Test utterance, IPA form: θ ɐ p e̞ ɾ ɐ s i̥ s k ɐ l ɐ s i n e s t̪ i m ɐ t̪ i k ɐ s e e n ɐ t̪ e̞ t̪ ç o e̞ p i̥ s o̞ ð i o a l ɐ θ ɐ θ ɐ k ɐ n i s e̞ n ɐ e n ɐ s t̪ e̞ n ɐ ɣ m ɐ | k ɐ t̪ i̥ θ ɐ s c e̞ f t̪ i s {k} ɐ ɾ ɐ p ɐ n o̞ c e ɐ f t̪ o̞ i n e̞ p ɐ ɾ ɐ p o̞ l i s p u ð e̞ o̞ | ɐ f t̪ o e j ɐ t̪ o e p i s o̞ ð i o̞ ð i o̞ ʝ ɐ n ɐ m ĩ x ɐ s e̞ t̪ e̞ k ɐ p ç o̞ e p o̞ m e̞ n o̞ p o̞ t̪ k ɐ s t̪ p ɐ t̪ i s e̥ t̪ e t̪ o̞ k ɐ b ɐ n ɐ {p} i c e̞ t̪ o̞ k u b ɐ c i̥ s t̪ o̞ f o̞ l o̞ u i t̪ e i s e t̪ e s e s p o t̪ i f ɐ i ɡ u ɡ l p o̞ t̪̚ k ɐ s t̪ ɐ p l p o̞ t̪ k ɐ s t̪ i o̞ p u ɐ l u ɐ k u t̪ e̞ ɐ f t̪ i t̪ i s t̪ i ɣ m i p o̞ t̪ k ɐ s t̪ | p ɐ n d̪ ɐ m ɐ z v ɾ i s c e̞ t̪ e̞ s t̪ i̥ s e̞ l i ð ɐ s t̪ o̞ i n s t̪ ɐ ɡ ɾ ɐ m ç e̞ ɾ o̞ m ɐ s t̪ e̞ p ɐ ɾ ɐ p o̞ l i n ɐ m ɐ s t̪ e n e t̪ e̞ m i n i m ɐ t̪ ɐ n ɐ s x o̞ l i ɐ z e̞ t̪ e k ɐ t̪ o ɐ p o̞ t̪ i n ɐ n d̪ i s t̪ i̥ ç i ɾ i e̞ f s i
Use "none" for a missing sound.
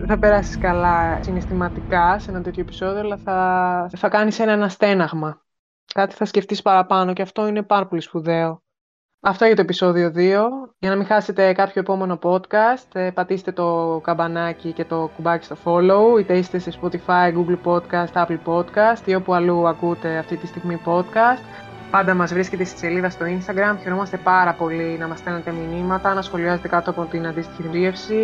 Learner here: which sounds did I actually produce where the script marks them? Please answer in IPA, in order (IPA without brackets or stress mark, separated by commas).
p, c